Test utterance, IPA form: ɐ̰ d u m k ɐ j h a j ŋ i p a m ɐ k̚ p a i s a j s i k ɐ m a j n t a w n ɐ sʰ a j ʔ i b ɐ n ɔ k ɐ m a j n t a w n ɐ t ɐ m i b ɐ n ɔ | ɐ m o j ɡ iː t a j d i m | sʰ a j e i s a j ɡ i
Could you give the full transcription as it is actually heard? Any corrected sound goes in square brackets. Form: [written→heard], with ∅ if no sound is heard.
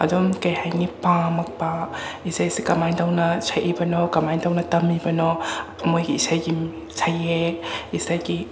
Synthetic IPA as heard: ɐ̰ d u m k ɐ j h a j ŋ i p a m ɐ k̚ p a i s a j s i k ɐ m a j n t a w n ɐ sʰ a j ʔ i b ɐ n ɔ k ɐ m a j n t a w n ɐ t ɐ m i b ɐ n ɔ | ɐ m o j ɡ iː [t→s] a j [d→ɡ] i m | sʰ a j e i s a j ɡ i

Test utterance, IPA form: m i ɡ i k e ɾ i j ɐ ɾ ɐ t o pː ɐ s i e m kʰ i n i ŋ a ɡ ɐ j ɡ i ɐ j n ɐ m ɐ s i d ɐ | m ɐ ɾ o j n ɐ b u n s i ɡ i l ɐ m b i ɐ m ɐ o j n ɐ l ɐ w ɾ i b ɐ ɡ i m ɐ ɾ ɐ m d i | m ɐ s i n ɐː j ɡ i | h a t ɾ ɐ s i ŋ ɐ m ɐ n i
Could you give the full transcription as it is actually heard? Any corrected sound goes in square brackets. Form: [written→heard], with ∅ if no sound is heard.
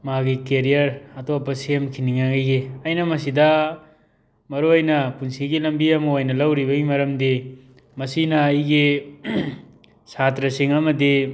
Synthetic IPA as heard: m [i→a] ɡ i k e ɾ i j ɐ ɾ ɐ t o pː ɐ s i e m kʰ i n i ŋ a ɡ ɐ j ɡ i ɐ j n ɐ m ɐ s i d ɐ | m ɐ ɾ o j n ɐ [b→p] u n s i ɡ i l ɐ m b i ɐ m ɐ o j n ɐ l ɐ w ɾ i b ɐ ɡ i m ɐ ɾ ɐ m d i | m ɐ s i n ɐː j ɡ i | [h→s] a t ɾ ɐ s i ŋ ɐ m ɐ [n→d] i

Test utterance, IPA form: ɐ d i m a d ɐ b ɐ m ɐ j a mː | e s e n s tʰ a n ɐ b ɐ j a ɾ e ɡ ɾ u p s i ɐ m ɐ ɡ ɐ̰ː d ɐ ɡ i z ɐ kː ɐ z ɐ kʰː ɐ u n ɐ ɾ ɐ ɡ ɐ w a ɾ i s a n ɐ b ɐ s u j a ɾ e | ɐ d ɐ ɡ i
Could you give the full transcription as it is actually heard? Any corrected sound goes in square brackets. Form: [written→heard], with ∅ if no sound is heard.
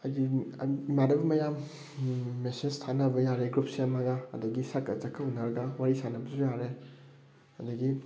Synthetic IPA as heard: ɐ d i m a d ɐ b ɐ m ɐ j a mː | e s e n s tʰ a n ɐ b ɐ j a ɾ e ɡ ɾ u p s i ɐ m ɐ ɡ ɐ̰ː d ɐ ɡ i [z→s] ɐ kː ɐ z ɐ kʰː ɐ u n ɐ ɾ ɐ ɡ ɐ w a ɾ i s a n ɐ b ɐ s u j a ɾ e | ɐ d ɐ ɡ i

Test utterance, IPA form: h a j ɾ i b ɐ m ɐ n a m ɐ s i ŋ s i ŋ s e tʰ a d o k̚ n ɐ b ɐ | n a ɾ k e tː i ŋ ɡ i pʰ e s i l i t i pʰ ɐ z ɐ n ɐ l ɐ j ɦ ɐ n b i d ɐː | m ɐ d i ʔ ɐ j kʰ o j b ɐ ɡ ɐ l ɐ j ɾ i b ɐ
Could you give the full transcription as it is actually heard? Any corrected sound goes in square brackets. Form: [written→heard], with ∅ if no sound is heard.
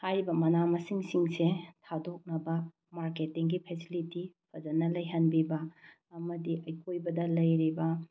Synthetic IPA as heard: h a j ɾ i b ɐ m ɐ n a m ɐ s i ŋ s i ŋ s e tʰ a d o k̚ n ɐ b ɐ | [n→m] a ɾ k e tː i ŋ ɡ i pʰ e s i l i t i pʰ ɐ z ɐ n ɐ l ɐ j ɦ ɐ n b i [d→b] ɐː | m ɐ d i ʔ ɐ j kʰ o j b ɐ [ɡ→d] ɐ l ɐ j ɾ i b ɐ

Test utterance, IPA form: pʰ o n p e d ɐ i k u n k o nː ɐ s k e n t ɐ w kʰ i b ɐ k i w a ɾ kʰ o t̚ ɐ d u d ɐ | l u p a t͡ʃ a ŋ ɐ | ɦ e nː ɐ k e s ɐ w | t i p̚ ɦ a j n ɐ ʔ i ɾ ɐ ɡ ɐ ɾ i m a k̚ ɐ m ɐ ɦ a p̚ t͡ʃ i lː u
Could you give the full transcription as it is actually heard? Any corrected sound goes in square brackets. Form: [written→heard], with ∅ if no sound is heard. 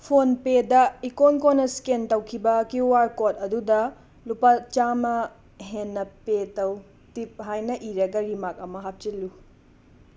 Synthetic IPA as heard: pʰ o n p e d ɐ i k [u→o] n k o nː ɐ s k e n t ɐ w kʰ i b ɐ k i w a ɾ [kʰ→k] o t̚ ɐ d u d ɐ | l u p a t͡ʃ a [ŋ→m] ɐ | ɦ e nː ɐ [k→p] e [s→t] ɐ w | t i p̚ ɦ a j n ɐ ʔ i ɾ ɐ ɡ ɐ ɾ i m a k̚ ɐ m ɐ ɦ a p̚ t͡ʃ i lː u

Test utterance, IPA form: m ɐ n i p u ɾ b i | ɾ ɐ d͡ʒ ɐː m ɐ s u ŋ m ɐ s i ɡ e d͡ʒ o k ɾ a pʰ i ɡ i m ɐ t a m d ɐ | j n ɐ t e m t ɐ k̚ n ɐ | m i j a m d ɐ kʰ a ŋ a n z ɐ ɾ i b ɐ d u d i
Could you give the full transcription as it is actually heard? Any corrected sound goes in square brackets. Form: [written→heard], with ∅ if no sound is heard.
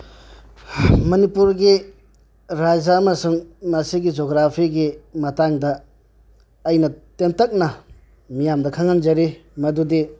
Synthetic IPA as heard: m ɐ n i p u ɾ [b→ɡ] i | ɾ [ɐ→a] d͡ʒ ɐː m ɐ s u ŋ m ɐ s i ɡ [e→i] d͡ʒ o [k→ɡ] ɾ a pʰ i ɡ i m ɐ t a [m→ŋ] d ɐ | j n ɐ t e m t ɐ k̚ n ɐ | m i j a m d ɐ kʰ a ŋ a n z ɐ ɾ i [b→m] ɐ d u d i

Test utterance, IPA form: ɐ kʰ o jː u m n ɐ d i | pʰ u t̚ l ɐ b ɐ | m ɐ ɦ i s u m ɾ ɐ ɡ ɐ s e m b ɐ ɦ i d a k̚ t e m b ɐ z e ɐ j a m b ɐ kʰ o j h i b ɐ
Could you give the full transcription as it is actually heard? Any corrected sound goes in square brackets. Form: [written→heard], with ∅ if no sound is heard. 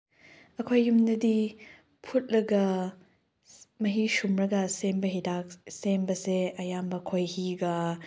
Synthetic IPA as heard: ɐ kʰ o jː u m n ɐ d i | pʰ u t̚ l ɐ [b→ɡ] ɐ | m ɐ ɦ i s u m ɾ ɐ ɡ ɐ s e m b ɐ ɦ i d a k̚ [t→s] e m b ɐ [z→s] e ɐ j a m b ɐ kʰ o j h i [b→ɡ] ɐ

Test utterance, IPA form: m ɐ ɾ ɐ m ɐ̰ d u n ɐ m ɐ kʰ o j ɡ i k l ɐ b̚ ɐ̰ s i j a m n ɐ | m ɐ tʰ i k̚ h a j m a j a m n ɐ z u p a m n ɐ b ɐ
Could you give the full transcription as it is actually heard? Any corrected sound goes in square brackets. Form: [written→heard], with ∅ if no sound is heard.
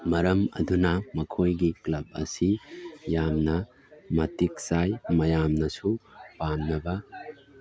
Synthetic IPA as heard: m ɐ ɾ ɐ m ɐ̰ d u n ɐ m ɐ kʰ o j ɡ i k l ɐ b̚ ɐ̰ s i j a m n ɐ | m ɐ [tʰ→t] i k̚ [h→s] a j m [a→ɐ] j a m n ɐ [z→s] u p a m n ɐ b ɐ

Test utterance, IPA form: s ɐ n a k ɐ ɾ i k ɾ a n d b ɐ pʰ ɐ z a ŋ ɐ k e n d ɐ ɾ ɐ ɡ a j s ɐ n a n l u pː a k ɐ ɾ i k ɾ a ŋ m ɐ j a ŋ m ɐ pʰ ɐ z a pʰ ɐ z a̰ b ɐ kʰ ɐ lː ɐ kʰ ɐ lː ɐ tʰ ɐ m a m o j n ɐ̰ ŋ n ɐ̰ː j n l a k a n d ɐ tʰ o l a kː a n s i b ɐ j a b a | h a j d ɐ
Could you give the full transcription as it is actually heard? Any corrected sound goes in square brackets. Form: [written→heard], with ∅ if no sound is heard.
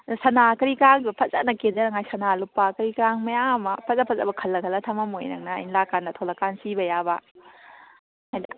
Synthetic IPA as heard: s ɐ n a k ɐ ɾ i k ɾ a [n→ŋ] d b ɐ pʰ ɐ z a [ŋ→n] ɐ k e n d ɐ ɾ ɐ [ɡ→ŋ] a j s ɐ n a [n→∅] l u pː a k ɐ ɾ i k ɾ a ŋ m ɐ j a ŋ m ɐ pʰ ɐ z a pʰ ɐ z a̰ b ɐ kʰ ɐ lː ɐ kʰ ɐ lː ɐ tʰ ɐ m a m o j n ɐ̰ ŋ n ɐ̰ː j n l a k a n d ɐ tʰ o l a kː a n s i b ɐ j a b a | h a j d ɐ

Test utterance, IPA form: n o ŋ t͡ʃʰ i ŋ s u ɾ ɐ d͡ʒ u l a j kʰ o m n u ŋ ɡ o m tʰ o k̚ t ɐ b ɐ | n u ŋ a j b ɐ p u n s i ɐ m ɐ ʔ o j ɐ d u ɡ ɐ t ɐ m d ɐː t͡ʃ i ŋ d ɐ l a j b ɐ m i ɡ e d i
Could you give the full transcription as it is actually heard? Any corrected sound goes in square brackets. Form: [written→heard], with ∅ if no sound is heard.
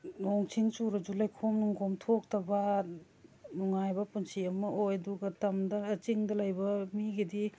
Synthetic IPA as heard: n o ŋ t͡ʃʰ i ŋ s u ɾ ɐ d͡ʒ u l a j kʰ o m n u ŋ ɡ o m tʰ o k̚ t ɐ b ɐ | n u ŋ a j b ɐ p u n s i ɐ m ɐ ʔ o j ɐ d u ɡ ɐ t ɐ m d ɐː t͡ʃ i ŋ d ɐ l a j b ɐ m i ɡ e d i

